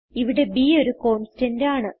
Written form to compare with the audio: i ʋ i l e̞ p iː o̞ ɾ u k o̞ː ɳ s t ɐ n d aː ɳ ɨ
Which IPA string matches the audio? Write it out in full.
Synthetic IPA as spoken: i ʋ i ɽ e̞ b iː o̞ ɾ u k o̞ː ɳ s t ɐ n d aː ɳ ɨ